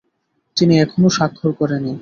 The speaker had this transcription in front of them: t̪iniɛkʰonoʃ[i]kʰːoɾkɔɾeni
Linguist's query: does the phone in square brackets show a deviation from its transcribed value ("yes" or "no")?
yes